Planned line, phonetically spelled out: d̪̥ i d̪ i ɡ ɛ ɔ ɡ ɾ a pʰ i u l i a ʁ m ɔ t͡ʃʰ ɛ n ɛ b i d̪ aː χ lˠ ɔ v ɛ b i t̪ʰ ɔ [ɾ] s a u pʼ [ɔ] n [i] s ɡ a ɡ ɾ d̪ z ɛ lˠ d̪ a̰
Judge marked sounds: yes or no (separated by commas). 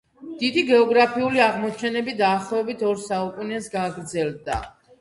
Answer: yes, no, no